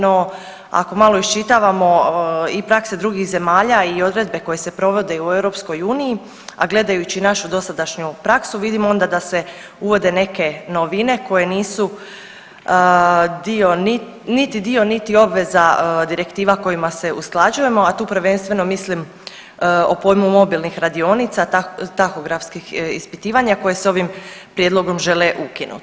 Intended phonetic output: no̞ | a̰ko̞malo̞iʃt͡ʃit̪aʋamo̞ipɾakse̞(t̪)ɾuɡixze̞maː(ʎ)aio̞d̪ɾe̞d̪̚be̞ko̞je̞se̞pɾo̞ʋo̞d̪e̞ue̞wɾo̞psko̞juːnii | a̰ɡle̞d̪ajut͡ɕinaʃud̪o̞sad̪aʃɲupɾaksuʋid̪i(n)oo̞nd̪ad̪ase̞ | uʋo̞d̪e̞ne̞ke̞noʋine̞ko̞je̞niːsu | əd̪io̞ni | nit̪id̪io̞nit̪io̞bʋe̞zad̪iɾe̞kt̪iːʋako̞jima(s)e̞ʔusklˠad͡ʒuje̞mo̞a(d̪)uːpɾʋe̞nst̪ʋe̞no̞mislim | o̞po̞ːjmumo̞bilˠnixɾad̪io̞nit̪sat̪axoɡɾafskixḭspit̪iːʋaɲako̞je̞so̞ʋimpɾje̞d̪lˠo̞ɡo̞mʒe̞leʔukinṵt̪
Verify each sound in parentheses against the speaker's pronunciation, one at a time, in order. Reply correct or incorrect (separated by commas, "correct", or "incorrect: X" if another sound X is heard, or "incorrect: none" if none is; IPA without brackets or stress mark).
incorrect: d̪, correct, incorrect: m, correct, incorrect: t̪